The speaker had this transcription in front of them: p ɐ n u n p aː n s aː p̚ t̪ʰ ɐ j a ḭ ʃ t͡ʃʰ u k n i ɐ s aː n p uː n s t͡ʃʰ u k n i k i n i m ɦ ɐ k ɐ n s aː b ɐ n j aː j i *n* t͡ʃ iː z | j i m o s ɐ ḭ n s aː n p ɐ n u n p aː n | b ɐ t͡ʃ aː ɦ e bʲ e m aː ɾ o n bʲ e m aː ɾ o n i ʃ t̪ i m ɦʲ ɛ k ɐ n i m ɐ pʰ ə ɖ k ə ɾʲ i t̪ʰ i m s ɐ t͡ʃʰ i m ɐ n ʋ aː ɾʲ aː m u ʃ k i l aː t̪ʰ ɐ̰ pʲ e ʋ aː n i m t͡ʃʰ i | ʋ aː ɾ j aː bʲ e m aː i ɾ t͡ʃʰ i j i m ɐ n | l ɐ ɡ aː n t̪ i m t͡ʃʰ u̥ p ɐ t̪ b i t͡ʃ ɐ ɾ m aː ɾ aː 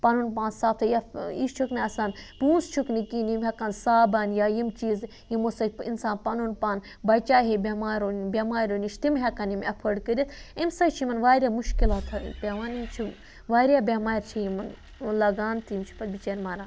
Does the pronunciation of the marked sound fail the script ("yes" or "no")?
yes